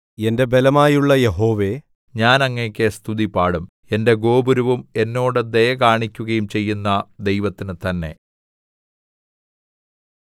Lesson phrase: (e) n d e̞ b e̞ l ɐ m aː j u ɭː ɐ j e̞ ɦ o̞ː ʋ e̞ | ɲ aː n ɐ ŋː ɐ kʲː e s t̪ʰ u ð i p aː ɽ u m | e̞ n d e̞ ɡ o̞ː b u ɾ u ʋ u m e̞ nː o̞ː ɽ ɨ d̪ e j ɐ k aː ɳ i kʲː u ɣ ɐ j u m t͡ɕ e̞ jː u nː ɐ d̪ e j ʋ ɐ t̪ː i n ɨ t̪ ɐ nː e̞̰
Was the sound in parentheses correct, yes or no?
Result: yes